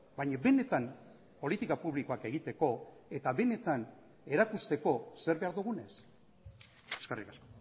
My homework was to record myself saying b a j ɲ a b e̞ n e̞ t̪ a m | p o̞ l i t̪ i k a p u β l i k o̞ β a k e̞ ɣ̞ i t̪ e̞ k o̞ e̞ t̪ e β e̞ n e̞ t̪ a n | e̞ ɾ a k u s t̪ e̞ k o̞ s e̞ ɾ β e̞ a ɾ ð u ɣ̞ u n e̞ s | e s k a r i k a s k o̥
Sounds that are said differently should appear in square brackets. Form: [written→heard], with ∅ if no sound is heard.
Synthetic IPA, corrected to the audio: b a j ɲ a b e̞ n e̞ t̪ a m | p o̞ l i t̪ i k a p u β l i k o̞ [β→∅] a k e̞ ɣ̞ i t̪ e̞ k o̞ e̞ t̪ [e→a] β e̞ n e̞ t̪ a n | e̞ ɾ a k u s t̪ e̞ k o̞ s e̞ ɾ β e̞ a ɾ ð u ɣ̞ u n e̞ s | e s k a r i k a s k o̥

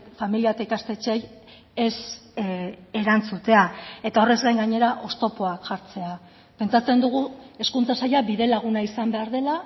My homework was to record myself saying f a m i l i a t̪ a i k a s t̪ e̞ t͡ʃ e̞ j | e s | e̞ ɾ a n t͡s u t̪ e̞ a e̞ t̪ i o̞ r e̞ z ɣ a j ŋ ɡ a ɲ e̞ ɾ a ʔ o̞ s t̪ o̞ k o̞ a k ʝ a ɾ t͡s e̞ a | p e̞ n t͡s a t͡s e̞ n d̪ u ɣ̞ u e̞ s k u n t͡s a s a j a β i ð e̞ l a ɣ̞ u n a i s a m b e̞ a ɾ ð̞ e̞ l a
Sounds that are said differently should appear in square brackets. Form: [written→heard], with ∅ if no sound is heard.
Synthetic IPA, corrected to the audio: f a m i l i a t̪ a i k a s t̪ e̞ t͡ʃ e̞ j | e s | e̞ ɾ a n t͡s u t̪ e̞ a e̞ t̪ [i→a] o̞ r e̞ z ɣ a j ŋ ɡ a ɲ e̞ ɾ a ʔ o̞ s t̪ o̞ [k→p] o̞ a k ʝ a ɾ t͡s e̞ a | p e̞ n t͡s a t͡s e̞ n d̪ u ɣ̞ u e̞ s k u n t͡s a s a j a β i ð e̞ l a ɣ̞ u n a i s a m b e̞ a ɾ ð̞ e̞ l a

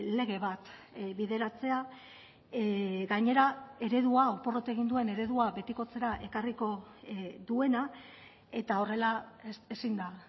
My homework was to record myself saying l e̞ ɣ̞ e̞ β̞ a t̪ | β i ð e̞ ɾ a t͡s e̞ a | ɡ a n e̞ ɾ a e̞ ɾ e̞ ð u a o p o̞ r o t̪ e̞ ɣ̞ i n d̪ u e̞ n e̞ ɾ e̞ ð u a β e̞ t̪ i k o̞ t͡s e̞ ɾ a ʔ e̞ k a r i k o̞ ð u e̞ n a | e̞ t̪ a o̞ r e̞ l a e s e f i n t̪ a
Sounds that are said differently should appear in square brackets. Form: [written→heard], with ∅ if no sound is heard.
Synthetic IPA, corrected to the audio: l e̞ ɣ̞ e̞ β̞ a t̪ | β i ð e̞ ɾ a t͡s e̞ a | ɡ a [n→ɲ] e̞ ɾ a e̞ ɾ e̞ ð u a o p o̞ r o t̪ e̞ ɣ̞ i n d̪ u e̞ n e̞ ɾ e̞ ð u a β e̞ t̪ i k o̞ t͡s e̞ ɾ a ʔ e̞ k a r i k o̞ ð u e̞ n a | e̞ t̪ a o̞ r e̞ l a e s e [f→s] i n [t̪→d̪] a

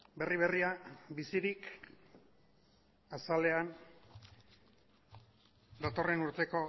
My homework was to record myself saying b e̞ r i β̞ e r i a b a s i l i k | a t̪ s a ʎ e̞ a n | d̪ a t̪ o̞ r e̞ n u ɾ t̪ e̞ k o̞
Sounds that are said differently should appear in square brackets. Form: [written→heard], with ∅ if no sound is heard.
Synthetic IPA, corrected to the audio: b e̞ r i β̞ e r i a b [a→i] s i [l→ɾ] i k | a [t̪→∅] s a [ʎ→l] e̞ a n | d̪ a t̪ o̞ r e̞ n u ɾ t̪ e̞ k o̞

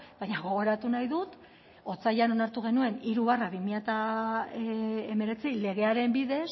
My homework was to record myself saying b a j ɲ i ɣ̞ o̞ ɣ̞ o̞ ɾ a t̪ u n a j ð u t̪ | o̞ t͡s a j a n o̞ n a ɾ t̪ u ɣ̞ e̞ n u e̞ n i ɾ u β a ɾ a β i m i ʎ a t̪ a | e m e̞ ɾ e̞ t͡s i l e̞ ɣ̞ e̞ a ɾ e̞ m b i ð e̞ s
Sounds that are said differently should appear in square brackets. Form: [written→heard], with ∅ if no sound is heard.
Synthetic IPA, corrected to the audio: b a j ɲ [i→a] ɣ̞ o̞ ɣ̞ o̞ ɾ a t̪ u n a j ð u t̪ | o̞ t͡s a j a n o̞ n a ɾ t̪ u ɣ̞ e̞ n u e̞ n i ɾ u β a [ɾ→r] a β i m i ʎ a t̪ a | e m e̞ ɾ e̞ t͡s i l e̞ ɣ̞ e̞ a ɾ e̞ m b i ð e̞ s

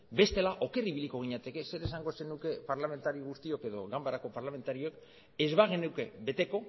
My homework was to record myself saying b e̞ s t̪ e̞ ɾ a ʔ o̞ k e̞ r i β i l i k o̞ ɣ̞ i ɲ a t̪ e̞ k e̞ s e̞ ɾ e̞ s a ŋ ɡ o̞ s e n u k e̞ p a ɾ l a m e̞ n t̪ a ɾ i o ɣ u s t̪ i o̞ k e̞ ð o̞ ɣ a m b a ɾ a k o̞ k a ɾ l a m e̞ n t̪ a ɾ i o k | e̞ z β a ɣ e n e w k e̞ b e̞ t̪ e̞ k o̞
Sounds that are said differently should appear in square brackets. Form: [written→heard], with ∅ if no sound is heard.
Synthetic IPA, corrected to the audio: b e̞ s t̪ e̞ [ɾ→l] a ʔ o̞ k e̞ r i β i l i k o̞ ɣ̞ i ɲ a t̪ e̞ k e̞ s e̞ ɾ e̞ s a ŋ ɡ o̞ s e n u k e̞ p a ɾ l a m e̞ n t̪ a ɾ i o ɣ u s t̪ i o̞ k e̞ ð o̞ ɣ a m b a ɾ a k o̞ [k→p] a ɾ l a m e̞ n t̪ a ɾ i o k | e̞ z β a ɣ e n e w k e̞ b e̞ t̪ e̞ k o̞

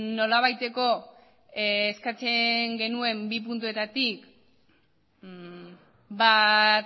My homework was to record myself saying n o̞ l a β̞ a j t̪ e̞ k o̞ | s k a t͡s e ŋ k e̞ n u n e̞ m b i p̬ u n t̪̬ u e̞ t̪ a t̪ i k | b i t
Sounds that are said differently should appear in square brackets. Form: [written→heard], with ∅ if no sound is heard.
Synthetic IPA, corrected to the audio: n o̞ l a β̞ a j t̪ e̞ k o̞ | s k a t͡s e ŋ [k→ɡ] e̞ n u [n→∅] e̞ m b i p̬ u n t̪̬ u e̞ t̪ a t̪ i k | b [i→a] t

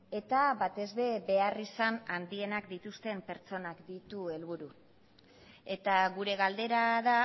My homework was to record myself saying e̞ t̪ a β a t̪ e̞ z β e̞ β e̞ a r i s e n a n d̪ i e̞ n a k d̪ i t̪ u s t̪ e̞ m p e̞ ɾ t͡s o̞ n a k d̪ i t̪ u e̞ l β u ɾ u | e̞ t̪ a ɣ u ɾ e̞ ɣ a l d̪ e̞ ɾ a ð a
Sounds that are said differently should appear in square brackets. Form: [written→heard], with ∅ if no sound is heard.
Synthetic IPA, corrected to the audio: e̞ t̪ a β a t̪ e̞ z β e̞ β e̞ a r i s [e→a] n a n d̪ i e̞ n a k d̪ i t̪ u s t̪ e̞ m p e̞ ɾ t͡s o̞ n a k d̪ i t̪ u e̞ l β u ɾ u | e̞ t̪ a ɣ u ɾ e̞ ɣ a l d̪ e̞ ɾ a ð a

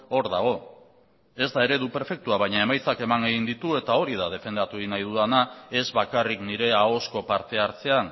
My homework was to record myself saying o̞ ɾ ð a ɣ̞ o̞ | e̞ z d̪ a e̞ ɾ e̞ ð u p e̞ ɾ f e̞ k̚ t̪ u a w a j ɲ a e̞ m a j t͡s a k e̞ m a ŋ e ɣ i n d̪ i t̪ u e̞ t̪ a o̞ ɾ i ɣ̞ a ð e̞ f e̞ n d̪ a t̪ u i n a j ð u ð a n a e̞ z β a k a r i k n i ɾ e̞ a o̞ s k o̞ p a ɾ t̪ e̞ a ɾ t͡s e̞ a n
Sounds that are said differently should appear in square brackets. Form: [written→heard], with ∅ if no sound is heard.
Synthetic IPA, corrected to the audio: o̞ ɾ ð a ɣ̞ o̞ | e̞ z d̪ a e̞ ɾ e̞ ð u p e̞ ɾ f e̞ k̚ t̪ u a [w→β] a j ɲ a e̞ m a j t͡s a k e̞ m a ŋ e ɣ i n d̪ i t̪ u e̞ t̪ a o̞ ɾ i [ɣ̞→ð̞] a ð e̞ f e̞ n d̪ a t̪ u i n a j ð u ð a n a e̞ z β a k a r i k n i ɾ e̞ a o̞ s k o̞ p a ɾ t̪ e̞ a ɾ t͡s e̞ a n

